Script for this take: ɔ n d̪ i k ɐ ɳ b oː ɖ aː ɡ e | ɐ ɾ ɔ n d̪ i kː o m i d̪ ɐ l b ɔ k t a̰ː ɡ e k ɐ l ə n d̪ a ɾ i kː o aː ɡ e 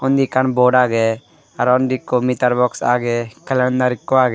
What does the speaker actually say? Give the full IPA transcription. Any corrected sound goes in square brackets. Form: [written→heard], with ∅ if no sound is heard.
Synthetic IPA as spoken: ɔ n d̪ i k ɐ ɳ b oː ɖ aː ɡ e | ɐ ɾ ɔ n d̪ i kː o m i [d̪→t̪] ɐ [l→ɾ] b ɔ k [t→s] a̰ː ɡ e k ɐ l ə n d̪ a ɾ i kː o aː ɡ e